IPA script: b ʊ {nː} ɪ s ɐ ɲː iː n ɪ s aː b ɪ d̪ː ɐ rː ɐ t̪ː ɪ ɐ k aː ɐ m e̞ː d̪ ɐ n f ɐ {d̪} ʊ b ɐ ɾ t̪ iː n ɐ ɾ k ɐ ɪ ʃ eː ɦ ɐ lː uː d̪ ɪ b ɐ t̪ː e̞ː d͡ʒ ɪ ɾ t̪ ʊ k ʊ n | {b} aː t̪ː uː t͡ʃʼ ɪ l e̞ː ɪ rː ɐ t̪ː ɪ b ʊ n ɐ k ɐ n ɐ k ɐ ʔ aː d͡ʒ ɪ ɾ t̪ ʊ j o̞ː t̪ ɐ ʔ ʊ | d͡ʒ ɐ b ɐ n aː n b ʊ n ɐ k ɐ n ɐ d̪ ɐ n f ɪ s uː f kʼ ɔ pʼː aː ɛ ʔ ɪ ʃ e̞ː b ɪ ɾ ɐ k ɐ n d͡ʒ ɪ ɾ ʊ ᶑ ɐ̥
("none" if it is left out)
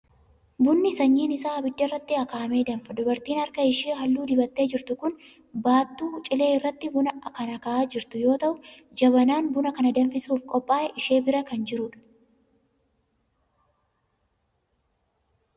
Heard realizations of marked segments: nː, d̪, b

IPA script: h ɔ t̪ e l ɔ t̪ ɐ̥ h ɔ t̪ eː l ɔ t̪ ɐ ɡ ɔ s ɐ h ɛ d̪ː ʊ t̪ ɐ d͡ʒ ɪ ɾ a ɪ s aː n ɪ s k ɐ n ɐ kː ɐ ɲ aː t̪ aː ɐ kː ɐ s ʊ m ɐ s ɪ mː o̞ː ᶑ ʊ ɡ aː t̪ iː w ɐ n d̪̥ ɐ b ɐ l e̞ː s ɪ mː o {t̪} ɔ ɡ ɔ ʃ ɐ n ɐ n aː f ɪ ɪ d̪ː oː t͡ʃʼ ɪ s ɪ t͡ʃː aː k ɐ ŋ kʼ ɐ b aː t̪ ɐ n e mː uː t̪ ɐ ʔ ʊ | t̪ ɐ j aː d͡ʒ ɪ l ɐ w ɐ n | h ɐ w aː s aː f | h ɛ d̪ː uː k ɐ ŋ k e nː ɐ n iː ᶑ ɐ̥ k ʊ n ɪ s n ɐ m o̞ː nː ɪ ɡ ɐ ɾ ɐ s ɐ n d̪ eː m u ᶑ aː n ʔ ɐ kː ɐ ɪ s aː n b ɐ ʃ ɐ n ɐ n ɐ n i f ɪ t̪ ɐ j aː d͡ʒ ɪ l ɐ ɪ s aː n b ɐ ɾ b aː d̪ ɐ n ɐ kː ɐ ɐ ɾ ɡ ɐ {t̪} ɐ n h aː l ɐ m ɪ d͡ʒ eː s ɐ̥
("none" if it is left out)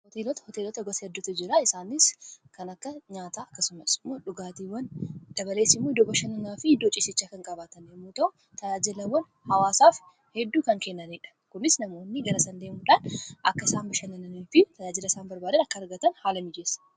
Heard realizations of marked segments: d̪, t̪

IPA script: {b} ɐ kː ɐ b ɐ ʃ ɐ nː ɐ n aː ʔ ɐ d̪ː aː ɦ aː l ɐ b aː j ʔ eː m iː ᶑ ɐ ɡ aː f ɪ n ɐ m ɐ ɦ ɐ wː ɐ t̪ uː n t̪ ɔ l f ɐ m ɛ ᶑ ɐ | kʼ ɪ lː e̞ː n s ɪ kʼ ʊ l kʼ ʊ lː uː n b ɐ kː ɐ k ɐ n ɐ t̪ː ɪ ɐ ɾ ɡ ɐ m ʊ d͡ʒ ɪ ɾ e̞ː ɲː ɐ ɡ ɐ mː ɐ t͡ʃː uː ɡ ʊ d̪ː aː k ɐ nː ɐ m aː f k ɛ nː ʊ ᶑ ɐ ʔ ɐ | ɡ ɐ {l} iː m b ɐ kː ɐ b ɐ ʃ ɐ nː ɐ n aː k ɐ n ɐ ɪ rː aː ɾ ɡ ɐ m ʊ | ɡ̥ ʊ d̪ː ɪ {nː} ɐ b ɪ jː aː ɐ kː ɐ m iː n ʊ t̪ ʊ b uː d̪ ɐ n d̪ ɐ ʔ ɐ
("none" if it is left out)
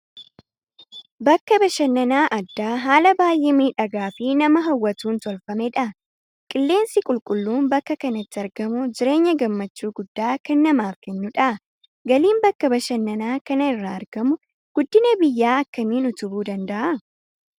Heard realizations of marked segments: b, l, n

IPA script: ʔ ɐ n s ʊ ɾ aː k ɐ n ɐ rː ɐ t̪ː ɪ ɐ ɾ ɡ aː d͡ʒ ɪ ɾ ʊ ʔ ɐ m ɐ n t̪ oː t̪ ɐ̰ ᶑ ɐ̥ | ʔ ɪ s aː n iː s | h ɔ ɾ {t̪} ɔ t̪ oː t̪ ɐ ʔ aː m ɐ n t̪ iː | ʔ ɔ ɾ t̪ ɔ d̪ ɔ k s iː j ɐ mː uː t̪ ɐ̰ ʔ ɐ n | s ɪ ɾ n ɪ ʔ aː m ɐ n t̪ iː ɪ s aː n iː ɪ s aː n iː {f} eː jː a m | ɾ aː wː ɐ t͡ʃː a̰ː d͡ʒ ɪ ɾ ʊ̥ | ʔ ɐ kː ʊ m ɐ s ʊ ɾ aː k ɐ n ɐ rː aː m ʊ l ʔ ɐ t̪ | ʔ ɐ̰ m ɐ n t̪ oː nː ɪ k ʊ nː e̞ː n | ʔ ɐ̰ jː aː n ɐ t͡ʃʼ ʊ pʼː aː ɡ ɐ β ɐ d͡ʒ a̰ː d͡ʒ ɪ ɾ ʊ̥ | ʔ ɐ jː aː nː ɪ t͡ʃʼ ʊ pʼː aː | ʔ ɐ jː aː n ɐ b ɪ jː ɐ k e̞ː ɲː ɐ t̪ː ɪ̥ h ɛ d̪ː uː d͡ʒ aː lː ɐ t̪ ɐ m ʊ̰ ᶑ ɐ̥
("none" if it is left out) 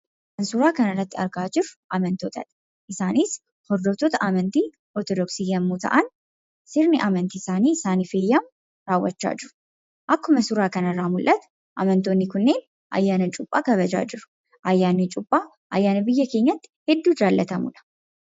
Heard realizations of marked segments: d̪, f

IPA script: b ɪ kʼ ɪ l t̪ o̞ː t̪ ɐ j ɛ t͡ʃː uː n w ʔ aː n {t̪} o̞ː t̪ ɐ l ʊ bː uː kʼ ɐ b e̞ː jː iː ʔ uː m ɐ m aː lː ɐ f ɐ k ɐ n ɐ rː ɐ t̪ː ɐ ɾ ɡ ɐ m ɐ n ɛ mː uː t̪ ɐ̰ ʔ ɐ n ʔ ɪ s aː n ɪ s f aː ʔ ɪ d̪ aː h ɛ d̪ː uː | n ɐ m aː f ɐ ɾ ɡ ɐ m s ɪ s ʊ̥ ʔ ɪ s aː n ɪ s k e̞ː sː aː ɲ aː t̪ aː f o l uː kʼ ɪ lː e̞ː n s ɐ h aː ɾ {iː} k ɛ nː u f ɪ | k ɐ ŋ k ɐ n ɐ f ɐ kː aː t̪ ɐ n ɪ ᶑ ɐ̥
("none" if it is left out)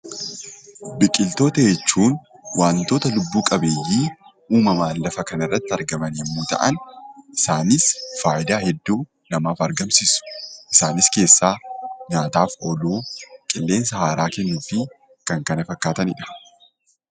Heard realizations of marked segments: t̪, aː

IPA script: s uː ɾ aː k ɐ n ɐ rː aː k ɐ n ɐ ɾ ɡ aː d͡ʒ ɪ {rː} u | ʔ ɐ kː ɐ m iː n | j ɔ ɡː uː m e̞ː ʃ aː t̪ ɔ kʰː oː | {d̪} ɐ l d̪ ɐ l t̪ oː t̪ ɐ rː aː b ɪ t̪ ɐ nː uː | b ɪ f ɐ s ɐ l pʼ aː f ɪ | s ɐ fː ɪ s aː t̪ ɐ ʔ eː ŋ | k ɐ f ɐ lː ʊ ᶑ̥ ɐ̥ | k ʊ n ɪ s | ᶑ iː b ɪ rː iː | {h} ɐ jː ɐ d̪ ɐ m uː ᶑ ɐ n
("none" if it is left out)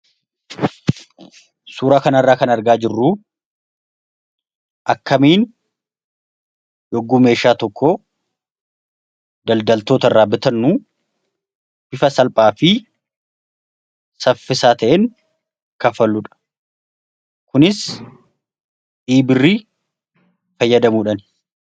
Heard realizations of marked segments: rː, d̪, f

